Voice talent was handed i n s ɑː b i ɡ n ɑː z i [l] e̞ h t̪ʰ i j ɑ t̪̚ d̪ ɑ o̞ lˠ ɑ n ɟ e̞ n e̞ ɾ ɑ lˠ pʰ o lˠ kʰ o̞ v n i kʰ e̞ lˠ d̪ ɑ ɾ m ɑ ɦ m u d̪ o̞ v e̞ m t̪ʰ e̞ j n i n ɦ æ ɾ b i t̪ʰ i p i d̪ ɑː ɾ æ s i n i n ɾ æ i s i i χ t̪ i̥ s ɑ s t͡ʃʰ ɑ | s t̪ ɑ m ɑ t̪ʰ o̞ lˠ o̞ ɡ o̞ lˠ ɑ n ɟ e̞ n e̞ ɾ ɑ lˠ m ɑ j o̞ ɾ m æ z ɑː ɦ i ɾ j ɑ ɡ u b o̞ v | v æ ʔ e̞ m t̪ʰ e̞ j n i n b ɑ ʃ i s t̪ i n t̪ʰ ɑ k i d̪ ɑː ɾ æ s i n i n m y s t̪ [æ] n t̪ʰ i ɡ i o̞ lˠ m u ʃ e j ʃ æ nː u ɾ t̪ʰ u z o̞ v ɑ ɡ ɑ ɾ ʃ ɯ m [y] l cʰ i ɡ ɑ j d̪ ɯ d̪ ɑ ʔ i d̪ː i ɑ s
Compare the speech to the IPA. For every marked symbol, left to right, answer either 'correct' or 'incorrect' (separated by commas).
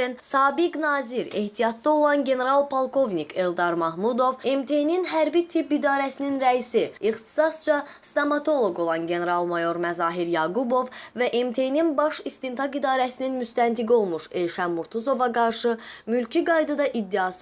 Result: incorrect, correct, correct